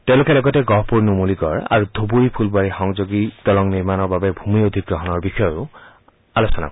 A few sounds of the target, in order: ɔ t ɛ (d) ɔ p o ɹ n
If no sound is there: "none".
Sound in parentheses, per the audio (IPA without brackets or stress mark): ɡ